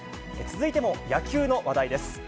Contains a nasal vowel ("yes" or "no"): no